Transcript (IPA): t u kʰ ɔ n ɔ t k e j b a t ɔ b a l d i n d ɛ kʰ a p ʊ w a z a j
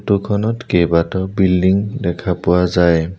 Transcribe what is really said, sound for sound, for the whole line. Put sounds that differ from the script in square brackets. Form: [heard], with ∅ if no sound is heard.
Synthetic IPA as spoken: t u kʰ ɔ n ɔ t k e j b a t ɔ b [i] l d i [ŋ] d ɛ kʰ a p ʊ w a z a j